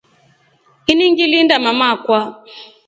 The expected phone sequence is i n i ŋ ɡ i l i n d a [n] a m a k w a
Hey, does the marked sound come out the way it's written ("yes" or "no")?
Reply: no